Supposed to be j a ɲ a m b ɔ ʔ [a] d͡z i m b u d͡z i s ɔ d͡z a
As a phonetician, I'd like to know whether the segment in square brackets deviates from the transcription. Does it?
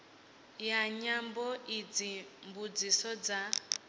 yes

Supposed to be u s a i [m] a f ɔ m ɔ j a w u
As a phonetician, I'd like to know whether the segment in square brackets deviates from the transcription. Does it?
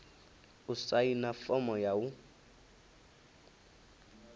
yes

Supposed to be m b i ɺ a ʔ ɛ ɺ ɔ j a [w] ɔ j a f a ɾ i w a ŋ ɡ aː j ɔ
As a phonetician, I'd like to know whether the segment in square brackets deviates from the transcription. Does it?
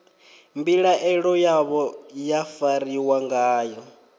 yes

